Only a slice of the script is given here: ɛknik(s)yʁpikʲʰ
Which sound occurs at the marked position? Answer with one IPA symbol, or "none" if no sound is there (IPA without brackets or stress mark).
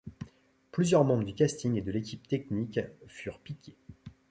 f